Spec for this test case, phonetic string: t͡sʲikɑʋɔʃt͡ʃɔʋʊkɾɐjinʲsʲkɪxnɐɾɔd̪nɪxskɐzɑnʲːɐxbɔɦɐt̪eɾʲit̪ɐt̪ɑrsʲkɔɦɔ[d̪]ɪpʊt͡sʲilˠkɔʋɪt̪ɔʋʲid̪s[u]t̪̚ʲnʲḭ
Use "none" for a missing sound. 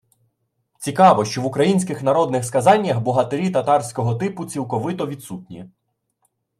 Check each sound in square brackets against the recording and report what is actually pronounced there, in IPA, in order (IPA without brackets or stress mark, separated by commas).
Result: t̪, u